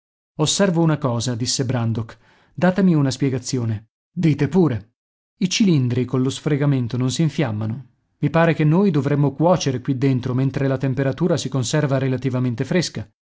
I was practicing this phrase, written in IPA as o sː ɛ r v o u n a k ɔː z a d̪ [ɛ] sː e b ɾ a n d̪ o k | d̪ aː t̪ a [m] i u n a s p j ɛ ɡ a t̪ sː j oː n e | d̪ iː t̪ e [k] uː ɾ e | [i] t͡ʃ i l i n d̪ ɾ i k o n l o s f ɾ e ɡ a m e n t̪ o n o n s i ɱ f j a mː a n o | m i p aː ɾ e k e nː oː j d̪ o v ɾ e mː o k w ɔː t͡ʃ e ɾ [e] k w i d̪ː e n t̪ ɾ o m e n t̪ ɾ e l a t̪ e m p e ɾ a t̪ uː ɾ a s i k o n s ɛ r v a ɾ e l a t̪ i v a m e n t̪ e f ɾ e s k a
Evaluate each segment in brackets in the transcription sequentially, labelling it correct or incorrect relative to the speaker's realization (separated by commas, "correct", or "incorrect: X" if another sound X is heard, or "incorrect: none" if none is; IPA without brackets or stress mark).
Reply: incorrect: i, correct, incorrect: p, correct, correct